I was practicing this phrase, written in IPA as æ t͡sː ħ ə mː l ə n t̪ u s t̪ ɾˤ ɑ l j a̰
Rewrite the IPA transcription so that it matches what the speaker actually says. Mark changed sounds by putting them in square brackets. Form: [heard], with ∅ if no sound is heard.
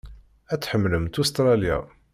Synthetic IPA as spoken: æ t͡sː ħ ə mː l ə [m] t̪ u s t̪ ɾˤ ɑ l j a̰